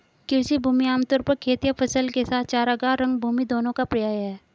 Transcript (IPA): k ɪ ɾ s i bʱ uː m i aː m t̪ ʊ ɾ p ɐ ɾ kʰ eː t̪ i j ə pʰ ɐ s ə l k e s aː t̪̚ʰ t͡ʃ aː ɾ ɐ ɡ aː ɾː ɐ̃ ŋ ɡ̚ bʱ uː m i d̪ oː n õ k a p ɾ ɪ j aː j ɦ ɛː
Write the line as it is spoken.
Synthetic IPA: k ɪ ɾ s i bʱ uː m i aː m t̪ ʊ ɾ p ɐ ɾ kʰ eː t̪ i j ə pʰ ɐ s ə l k e s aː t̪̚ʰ t͡ʃ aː ɾ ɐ ɡ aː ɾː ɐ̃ ŋ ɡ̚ bʱ uː m i d̪ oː n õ k a p ɾ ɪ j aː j ɦ ɛː

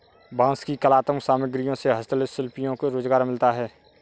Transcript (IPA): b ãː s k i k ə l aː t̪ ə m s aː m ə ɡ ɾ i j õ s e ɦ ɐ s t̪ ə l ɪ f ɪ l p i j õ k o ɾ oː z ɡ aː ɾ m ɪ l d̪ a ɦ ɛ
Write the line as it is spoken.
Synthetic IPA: b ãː s k i k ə l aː t̪ ə m s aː m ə ɡ ɾ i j õ s e ɦ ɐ s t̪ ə l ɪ s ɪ l p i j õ k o ɾ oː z ɡ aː ɾ m ɪ l t̪ a ɦ ɛː

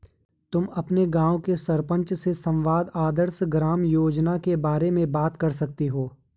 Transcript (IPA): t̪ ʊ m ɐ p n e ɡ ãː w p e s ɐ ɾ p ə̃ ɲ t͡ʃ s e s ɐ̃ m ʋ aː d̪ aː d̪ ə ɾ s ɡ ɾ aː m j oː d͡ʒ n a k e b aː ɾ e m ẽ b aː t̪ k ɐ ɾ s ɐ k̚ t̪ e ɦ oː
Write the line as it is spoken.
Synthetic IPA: t̪ ʊ m ɐ p n e ɡ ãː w k e s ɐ ɾ p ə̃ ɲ t͡ʃ s e s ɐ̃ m ʋ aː d̪ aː d̪ ə ɾ s ɡ ɾ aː m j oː d͡ʒ n a k e b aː ɾ e m ẽ b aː t̪ k ɐ ɾ s ɐ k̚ t̪ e ɦ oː

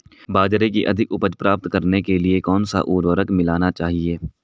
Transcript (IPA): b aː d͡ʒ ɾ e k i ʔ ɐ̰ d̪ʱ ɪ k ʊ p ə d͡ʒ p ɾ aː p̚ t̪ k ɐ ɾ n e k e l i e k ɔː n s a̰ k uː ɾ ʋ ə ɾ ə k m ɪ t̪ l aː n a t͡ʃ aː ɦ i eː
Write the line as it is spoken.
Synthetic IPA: b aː d͡ʒ ɾ e k i ʔ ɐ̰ d̪ʱ ɪ k ʊ p ə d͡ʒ p ɾ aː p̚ t̪ k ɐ ɾ n e k e l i e k ɔː n s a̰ ʔ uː ɾ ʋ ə ɾ ə k m ɪ l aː n a t͡ʃ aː ɦ i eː

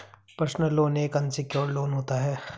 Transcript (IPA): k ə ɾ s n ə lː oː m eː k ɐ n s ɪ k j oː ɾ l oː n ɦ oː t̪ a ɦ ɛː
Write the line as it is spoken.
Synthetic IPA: p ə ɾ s n ə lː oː n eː k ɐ n s ɪ k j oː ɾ l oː n ɦ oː t̪ a ɦ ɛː

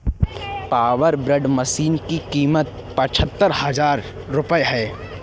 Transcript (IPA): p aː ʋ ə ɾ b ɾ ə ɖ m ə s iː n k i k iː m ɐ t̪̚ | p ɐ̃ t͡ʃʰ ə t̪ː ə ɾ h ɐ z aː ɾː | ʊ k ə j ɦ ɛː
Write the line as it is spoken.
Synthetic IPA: p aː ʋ ə ɾ b ɾ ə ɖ m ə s iː n k i k iː m ə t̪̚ | p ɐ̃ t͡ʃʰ ə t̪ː ə ɾ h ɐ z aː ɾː | ʊ p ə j ɦ ɛː

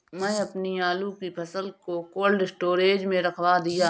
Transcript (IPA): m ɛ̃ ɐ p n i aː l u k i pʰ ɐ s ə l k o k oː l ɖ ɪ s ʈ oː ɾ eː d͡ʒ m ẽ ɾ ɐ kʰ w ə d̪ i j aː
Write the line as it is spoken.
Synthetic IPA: m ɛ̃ ɐ p n i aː l u k i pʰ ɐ s ə l k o k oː l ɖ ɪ s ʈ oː ɾ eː d͡ʒ m ẽ ɾ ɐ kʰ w a d̪ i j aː

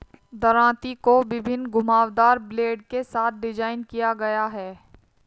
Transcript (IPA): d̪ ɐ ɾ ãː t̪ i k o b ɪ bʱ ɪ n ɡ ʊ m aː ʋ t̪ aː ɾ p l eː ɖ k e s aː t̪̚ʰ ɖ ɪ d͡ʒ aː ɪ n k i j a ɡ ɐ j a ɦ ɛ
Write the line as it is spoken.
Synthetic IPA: d̪ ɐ ɾ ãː t̪ i k o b ɪ bʱ ɪ n ɡ ʊ m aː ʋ d̪ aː ɾ b l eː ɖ k e s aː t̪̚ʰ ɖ ɪ d͡ʒ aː ɪ n k i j a ɡ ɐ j a ɦ ɛː

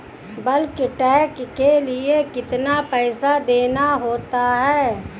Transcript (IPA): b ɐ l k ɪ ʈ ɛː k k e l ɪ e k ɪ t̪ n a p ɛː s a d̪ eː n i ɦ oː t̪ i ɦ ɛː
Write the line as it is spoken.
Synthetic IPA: b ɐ l k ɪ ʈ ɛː k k e l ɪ e k ɪ t̪ n a p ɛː s a d̪ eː n a ɦ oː t̪ a ɦ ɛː

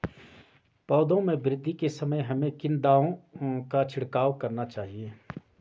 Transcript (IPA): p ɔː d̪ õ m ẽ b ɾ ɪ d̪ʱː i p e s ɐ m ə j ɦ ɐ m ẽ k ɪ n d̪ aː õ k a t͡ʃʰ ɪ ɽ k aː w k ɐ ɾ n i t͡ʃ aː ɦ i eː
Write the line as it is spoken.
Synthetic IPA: p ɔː d̪ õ m ẽ b ɾ ɪ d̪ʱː i k e s ɐ m ə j ɦ ɐ m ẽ k ɪ n d̪ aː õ k a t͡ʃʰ ɪ ɽ k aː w k ɐ ɾ n a t͡ʃ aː ɦ i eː

